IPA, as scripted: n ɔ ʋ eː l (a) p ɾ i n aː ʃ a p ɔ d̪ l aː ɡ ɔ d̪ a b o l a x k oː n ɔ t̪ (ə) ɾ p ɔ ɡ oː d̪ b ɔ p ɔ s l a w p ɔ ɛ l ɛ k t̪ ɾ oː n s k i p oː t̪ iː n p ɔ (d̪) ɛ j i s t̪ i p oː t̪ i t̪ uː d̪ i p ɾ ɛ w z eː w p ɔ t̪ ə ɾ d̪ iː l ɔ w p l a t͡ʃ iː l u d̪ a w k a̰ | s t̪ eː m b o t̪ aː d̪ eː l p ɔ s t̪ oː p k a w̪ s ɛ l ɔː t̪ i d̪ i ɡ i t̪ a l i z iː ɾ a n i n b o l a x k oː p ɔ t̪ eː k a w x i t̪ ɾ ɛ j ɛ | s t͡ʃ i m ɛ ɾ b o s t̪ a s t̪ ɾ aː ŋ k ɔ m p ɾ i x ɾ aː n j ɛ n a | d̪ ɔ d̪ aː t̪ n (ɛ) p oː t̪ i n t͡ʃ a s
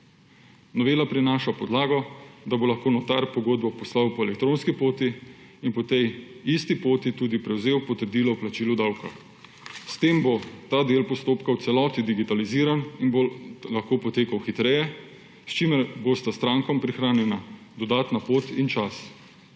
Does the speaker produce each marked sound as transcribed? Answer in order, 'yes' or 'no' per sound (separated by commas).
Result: yes, no, no, no